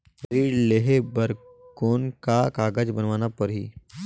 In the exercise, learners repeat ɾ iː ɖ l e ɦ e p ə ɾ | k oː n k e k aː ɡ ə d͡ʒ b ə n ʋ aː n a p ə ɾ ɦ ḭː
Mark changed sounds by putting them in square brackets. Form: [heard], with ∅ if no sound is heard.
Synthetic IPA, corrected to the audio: ɾ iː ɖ l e ɦ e [b] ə ɾ | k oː n k [a] k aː ɡ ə d͡ʒ b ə n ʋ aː n a p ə ɾ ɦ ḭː